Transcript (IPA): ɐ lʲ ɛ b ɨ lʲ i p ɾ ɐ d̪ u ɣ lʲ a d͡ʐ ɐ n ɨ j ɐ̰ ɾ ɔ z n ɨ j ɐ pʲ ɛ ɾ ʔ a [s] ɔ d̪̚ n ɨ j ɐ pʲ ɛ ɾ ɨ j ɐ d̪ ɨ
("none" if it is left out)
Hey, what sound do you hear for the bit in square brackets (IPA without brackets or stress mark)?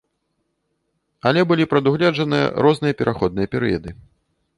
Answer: x